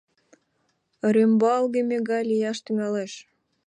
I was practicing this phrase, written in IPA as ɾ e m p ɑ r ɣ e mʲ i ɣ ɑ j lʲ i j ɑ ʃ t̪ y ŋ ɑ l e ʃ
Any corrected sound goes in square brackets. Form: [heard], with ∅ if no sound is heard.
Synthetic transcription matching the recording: ɾ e m [b] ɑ [l] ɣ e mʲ [e] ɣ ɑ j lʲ i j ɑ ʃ t̪ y ŋ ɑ l e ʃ